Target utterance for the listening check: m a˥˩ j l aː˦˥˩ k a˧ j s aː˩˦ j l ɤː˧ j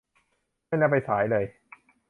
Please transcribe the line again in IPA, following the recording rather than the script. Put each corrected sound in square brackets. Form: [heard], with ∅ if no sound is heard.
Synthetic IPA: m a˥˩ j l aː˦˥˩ [p] a˧ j s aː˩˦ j l ɤː˧ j